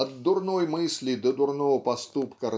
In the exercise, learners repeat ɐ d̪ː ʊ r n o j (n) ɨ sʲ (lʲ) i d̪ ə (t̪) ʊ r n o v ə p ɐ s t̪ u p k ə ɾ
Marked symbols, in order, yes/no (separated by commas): no, yes, no